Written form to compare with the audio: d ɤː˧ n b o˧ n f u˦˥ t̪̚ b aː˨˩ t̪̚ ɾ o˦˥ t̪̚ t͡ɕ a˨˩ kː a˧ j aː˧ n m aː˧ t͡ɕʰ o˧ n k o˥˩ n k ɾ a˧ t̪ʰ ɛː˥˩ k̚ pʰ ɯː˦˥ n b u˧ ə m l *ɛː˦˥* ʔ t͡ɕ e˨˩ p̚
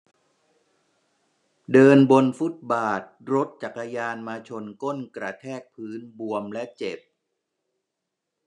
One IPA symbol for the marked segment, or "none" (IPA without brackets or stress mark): ɛ˦˥